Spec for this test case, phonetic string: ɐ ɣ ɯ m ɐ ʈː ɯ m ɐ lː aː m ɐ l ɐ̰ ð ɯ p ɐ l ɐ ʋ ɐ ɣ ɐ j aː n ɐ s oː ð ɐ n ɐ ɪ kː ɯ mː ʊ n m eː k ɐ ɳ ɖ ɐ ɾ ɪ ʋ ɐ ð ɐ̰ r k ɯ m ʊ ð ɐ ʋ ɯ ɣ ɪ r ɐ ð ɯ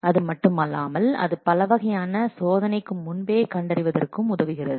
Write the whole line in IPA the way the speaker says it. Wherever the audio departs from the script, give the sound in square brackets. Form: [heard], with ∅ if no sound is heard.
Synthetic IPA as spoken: ɐ [ð] ɯ m ɐ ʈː ɯ m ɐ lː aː m ɐ l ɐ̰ ð ɯ p ɐ l ɐ ʋ ɐ ɣ ɐ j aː n ɐ s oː ð ɐ n ɐ ɪ kː ɯ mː ʊ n [b] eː k ɐ ɳ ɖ ɐ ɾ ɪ ʋ ɐ ð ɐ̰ r k ɯ m ʊ ð ɐ ʋ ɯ ɣ ɪ r ɐ ð ɯ